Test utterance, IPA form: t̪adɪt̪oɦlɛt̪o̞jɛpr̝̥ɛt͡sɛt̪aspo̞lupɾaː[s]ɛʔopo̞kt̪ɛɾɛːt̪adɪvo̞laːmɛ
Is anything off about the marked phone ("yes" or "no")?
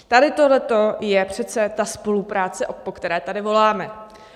yes